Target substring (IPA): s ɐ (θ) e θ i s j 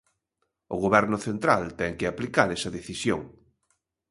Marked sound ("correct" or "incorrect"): incorrect